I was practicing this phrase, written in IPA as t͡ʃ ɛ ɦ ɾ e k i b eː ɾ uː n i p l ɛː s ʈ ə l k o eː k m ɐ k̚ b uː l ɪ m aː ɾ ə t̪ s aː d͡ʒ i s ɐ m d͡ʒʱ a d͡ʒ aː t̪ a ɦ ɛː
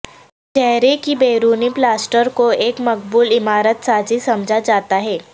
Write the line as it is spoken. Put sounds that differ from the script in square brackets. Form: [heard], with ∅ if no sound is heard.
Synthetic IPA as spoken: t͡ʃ ɛ ɦ ɾ e k i b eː ɾ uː n i p l [aː] s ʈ ə [ɾ] k o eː k m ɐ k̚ b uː l ɪ m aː ɾ ə t̪ s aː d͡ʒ i s ɐ m d͡ʒʱ a d͡ʒ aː t̪ a ɦ ɛː